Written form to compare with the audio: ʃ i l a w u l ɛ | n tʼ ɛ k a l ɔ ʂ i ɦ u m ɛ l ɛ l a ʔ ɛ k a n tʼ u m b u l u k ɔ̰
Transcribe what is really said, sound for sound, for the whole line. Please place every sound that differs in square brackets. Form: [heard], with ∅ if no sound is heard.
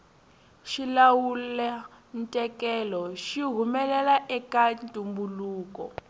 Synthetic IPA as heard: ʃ i l a w u l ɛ | n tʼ ɛ k [ɛ] l ɔ [ʃ] i ɦ u m ɛ l ɛ l a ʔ ɛ k a n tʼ u m b u l [uː] k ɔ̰